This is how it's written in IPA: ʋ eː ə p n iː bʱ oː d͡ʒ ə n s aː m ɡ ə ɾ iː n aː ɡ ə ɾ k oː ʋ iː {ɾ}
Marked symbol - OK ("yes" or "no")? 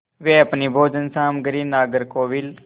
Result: no